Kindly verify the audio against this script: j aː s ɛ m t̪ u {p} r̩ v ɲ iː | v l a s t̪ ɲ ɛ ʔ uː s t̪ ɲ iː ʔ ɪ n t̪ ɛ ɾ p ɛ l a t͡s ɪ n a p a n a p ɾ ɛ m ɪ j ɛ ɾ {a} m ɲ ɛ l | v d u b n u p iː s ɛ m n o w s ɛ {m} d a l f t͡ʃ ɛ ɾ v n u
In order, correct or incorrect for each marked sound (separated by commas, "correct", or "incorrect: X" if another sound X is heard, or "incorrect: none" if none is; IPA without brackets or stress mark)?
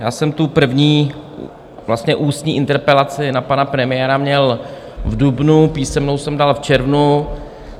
correct, correct, correct